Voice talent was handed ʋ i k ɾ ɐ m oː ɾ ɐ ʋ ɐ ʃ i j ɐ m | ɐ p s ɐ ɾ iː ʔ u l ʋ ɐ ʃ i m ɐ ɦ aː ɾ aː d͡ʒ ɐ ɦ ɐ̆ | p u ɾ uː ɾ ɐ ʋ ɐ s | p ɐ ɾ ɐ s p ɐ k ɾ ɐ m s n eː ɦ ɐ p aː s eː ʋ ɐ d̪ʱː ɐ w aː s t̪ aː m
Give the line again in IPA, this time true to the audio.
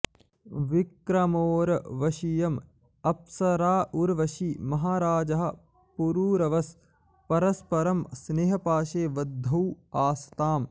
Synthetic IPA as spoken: ʋ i k ɾ ɐ m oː ɾ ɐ ʋ ɐ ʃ i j ɐ m | ɐ p s ɐ ɾ aː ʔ u ɾ ʋ ɐ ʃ i m ɐ ɦ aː ɾ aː d͡ʒ ɐ ɦ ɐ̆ | p u ɾ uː ɾ ɐ ʋ ɐ s | p ɐ ɾ ɐ s p ɐ ɾ ɐ m s n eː ɦ ɐ p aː ʃ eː ʋ ɐ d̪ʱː ɐ w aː s t̪ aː m

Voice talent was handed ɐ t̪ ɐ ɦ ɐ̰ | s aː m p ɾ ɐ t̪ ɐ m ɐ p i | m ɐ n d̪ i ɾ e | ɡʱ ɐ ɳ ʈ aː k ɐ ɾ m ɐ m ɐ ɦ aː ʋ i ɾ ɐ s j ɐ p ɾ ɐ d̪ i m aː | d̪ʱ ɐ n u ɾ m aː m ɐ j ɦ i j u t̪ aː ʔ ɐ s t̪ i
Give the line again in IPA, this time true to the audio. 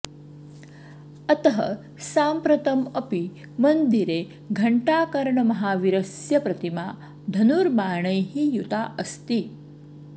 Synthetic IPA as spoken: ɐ t̪ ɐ ɦ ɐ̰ | s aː m p ɾ ɐ t̪ ɐ m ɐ p i | m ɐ n d̪ i ɾ e | ɡʱ ɐ ɳ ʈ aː k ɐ ɾ ɳ ɐ m ɐ ɦ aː ʋ i ɾ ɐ s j ɐ p ɾ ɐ t̪ i m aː | d̪ʱ ɐ n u ɾ m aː ɳ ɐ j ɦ i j u t̪ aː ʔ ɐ s t̪ i

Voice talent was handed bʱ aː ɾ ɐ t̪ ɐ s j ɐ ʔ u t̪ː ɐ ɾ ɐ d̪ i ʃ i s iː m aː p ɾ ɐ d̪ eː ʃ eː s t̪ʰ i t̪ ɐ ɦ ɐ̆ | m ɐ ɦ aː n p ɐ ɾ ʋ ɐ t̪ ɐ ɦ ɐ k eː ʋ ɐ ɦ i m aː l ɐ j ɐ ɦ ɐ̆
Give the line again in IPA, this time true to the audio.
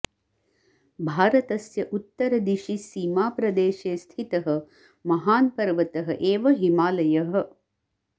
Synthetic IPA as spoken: bʱ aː ɾ ɐ t̪ ɐ s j ɐ ʔ u t̪ː ɐ ɾ ɐ d̪ i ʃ i s iː m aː p ɾ ɐ d̪ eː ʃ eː s t̪ʰ i t̪ ɐ ɦ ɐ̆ | m ɐ ɦ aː n p ɐ ɾ ʋ ɐ t̪ ɐ ɦ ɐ ʔ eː ʋ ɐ ɦ i m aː l ɐ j ɐ ɦ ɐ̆

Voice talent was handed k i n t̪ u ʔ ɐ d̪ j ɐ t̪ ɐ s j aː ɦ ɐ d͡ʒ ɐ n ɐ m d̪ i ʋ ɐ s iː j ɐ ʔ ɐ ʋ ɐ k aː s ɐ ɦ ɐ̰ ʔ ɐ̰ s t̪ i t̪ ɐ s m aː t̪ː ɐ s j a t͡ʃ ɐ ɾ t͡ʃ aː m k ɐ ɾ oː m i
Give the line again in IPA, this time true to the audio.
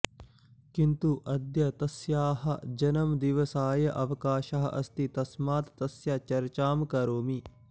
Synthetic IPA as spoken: k i n t̪ u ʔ ɐ d̪ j ɐ t̪ ɐ s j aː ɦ ɐ d͡ʒ ɐ n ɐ m d̪ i ʋ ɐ s aː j ɐ ʔ ɐ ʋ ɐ k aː ʃ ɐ ɦ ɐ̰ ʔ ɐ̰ s t̪ i t̪ ɐ s m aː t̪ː ɐ s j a t͡ʃ ɐ ɾ t͡ʃ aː m k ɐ ɾ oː m i

